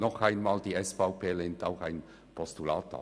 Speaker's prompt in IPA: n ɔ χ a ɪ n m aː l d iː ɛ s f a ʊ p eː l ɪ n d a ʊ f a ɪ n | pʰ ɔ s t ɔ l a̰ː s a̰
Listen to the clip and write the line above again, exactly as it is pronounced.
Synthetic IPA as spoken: n ɔ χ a ɪ n m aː l d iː ɛ s f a ʊ p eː l ɪ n t a ʊ x a ɪ n | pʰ ɔ s t u l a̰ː t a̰